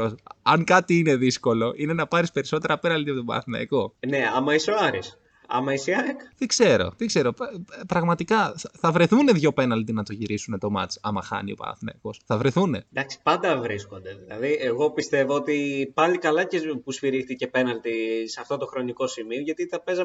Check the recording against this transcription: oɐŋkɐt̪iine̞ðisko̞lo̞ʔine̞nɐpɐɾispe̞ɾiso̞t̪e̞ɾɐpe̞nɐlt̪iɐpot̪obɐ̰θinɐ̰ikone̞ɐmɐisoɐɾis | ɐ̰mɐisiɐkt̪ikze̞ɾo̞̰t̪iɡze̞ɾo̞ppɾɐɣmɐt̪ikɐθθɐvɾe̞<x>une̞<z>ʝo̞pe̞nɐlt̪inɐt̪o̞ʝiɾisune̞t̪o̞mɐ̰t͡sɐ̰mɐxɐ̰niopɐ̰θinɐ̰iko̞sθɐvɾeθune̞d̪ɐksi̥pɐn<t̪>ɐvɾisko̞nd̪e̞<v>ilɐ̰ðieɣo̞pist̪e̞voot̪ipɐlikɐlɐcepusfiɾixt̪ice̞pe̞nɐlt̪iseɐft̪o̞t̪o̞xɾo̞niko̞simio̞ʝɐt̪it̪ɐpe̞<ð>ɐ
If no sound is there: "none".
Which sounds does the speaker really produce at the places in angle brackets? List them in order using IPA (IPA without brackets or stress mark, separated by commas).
θ, ð, d̪, ð, z